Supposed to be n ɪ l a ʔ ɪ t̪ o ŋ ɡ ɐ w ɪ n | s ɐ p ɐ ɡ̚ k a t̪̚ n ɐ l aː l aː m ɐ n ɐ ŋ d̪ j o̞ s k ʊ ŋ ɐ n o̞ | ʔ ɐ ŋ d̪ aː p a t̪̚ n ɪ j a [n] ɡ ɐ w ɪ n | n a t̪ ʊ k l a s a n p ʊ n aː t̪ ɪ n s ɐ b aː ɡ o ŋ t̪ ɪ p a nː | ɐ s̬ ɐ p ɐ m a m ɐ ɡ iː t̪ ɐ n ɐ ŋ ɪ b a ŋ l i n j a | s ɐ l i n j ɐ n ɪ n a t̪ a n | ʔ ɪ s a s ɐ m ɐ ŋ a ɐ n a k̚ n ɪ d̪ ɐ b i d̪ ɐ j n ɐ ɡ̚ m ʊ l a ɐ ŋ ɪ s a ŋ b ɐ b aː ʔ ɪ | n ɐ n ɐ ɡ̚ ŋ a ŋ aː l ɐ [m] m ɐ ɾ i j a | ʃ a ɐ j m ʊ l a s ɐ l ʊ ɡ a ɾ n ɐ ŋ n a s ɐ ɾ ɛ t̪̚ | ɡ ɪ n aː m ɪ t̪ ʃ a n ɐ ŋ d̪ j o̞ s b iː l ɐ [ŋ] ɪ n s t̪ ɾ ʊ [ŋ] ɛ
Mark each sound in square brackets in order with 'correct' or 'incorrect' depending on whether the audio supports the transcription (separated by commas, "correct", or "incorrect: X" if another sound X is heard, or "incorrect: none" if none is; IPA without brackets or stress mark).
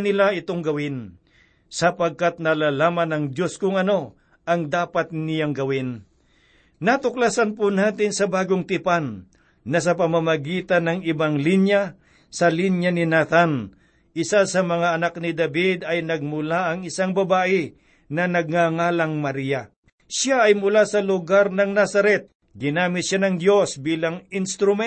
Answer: incorrect: ŋ, incorrect: ŋ, correct, incorrect: m